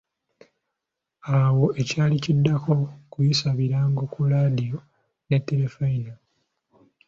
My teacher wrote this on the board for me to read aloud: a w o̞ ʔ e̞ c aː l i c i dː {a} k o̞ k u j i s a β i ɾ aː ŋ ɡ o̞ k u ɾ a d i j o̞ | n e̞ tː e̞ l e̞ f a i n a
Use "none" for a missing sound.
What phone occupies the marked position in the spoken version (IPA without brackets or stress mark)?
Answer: a